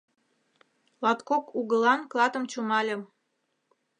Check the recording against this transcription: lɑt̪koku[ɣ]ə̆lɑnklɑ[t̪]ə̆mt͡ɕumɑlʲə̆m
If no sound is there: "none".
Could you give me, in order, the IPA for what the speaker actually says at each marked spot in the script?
ɣ, t̪

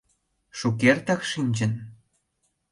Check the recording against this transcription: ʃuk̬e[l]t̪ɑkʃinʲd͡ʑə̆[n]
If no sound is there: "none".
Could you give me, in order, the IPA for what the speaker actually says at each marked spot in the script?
r, n

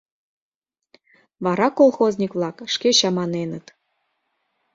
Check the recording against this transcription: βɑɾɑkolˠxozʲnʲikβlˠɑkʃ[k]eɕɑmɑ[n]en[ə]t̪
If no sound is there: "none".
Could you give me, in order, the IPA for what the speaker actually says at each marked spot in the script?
k, n, ə

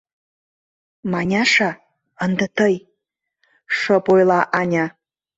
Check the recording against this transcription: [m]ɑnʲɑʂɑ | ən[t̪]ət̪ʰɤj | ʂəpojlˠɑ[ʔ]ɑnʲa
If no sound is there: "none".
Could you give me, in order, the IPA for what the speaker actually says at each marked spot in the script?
m, d̪, ʔ

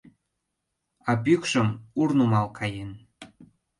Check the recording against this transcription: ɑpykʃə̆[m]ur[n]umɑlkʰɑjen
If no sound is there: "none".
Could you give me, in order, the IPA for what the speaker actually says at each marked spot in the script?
m, n

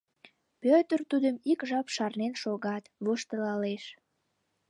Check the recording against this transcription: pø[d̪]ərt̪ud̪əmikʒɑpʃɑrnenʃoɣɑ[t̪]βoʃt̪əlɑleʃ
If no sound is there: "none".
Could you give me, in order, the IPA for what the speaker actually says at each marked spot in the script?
t̪, t̪

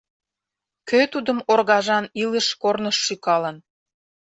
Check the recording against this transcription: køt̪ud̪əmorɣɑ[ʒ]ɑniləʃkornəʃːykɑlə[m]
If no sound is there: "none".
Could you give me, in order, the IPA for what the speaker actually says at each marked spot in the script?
ʒ, n

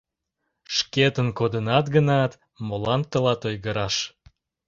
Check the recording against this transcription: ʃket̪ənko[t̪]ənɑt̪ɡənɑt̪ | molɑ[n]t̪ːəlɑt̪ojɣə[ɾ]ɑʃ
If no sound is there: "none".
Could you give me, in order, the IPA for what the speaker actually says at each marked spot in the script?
d̪, n, ɾ

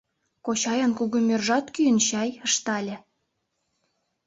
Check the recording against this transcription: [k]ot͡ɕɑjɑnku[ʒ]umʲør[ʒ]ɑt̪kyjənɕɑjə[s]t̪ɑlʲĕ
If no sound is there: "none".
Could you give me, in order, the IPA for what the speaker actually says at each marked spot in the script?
k, ɣ, ʒ, ʃ

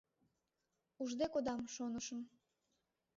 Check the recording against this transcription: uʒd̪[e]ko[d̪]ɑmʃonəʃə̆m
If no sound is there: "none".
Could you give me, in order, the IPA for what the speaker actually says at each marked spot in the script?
e, d̪

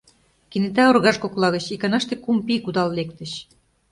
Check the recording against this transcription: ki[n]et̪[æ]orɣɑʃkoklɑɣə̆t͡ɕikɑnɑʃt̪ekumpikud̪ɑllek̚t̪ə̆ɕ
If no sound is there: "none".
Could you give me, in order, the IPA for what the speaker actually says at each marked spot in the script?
n, æ

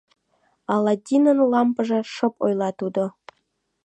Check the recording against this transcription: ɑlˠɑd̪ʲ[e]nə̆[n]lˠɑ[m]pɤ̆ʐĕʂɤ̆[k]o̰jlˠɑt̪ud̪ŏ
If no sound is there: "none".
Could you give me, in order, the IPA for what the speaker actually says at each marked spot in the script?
i, n, m, p

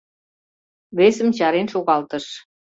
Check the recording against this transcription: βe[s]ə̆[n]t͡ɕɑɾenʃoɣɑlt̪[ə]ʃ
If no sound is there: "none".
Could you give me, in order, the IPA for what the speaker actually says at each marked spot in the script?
s, m, ə

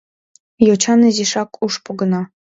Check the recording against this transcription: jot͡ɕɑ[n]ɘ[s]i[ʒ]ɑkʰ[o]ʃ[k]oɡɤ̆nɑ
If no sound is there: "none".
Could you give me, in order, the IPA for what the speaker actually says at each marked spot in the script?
n, z, ʃ, u, p

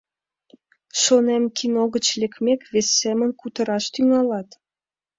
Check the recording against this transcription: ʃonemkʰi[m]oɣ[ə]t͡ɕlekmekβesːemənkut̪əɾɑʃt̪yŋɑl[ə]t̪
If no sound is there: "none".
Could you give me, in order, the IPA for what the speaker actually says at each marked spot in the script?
n, ə, ɑ

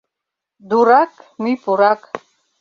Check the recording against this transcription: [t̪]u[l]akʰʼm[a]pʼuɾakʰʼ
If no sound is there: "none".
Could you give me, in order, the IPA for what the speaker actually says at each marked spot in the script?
d̪, ɾ, i

